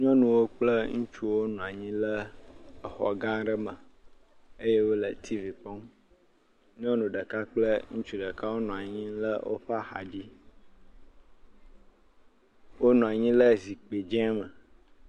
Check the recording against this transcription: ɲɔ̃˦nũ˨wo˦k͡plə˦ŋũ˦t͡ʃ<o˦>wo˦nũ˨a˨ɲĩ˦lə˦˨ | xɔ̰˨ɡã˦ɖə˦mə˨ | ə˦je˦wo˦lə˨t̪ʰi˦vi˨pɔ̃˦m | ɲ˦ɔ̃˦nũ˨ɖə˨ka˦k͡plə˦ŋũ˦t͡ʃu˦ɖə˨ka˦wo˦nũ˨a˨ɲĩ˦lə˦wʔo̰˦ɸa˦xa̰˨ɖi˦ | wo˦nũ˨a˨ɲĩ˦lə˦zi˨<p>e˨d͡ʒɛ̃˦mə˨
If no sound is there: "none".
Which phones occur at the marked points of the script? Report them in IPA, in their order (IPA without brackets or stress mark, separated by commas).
u˦, k͡p